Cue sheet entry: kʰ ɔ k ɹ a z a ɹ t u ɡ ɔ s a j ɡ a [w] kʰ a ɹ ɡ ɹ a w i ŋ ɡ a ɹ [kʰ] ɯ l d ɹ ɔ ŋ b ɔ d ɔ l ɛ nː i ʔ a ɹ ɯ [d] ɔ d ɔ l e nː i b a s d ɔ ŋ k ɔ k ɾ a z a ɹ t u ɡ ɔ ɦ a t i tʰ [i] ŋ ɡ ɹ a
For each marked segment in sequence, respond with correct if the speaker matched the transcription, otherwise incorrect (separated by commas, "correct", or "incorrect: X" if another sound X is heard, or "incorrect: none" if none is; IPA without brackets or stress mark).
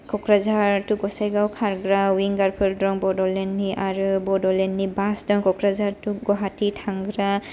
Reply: correct, incorrect: pʰ, incorrect: b, incorrect: a